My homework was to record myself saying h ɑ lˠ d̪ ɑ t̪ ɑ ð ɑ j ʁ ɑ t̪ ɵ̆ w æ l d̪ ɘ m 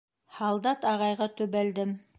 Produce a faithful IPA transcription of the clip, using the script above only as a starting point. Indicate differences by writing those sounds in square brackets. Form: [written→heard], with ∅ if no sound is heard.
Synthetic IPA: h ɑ lˠ d̪ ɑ t̪ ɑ [ð→ʁ] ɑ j ʁ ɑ t̪ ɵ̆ [w→β] æ l d̪ ɘ m